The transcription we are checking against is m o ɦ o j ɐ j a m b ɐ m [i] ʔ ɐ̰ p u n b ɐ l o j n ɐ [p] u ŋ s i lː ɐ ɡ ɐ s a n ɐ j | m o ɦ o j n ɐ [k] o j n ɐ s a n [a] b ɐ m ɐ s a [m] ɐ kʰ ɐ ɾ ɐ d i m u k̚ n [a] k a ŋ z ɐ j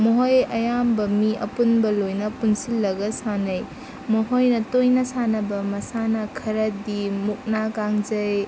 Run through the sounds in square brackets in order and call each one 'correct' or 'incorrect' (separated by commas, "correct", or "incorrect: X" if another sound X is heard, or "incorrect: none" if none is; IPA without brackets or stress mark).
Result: correct, correct, incorrect: t, incorrect: ɐ, incorrect: n, correct